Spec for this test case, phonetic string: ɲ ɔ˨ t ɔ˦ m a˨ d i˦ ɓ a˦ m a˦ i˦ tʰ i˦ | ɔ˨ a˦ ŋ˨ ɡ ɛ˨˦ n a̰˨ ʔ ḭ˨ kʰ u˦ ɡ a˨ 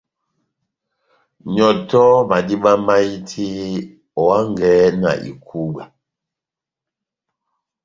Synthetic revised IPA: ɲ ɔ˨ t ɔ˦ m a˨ d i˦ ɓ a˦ m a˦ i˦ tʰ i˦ | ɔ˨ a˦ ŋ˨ ɡ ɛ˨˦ n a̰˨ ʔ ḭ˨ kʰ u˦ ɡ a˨

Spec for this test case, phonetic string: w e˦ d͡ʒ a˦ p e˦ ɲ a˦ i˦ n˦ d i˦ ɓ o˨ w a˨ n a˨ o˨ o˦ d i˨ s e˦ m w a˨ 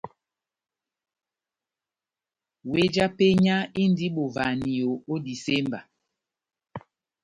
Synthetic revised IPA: w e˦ d͡ʒ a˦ p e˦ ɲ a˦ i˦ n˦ d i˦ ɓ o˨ v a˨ n i˨ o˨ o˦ d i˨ s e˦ m b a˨

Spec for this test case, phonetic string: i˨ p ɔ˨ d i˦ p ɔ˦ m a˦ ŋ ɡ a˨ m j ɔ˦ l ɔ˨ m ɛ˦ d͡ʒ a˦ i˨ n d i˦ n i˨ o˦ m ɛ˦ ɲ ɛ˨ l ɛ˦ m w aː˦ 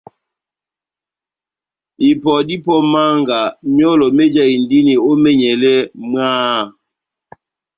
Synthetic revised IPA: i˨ p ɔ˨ d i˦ p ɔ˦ m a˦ ŋ ɡ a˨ m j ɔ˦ l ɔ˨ m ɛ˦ d͡ʒ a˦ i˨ n d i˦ n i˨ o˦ m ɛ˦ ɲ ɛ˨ l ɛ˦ m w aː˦

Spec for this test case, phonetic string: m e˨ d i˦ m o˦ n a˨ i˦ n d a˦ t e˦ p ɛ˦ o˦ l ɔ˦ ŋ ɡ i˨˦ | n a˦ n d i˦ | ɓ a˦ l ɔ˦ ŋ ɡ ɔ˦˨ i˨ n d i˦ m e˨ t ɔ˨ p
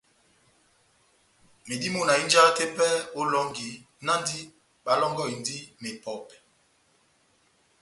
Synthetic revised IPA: m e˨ d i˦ m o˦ n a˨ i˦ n d͡ʒ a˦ t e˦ p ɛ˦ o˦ l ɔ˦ ŋ ɡ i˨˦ | n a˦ n d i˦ | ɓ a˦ l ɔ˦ ŋ ɡ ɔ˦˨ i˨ n d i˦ m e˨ p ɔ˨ p

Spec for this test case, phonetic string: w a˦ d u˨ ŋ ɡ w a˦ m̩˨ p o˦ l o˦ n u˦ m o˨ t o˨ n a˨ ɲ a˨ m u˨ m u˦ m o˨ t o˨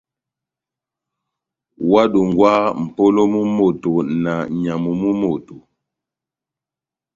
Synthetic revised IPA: w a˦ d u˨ ŋ ɡ w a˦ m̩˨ p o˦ l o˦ m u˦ m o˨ t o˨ n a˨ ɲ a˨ m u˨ m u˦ m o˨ t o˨

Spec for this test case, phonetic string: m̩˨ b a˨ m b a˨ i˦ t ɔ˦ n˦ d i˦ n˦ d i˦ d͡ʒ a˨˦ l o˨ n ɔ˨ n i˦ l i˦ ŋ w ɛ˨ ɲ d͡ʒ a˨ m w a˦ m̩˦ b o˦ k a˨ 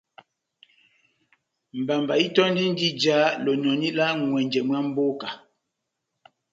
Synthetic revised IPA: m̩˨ b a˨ m b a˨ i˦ t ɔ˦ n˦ d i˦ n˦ d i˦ d͡ʒ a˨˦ l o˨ n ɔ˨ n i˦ l a˦ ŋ w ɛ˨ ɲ d͡ʒ ɛ˨ m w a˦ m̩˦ b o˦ k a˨

